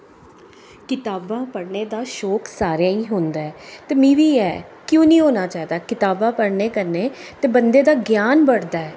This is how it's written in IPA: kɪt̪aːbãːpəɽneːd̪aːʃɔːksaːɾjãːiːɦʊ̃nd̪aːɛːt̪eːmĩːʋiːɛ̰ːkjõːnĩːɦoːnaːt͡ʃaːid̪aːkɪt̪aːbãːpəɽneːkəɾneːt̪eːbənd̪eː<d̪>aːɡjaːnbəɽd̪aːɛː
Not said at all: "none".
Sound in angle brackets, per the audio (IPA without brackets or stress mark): d̪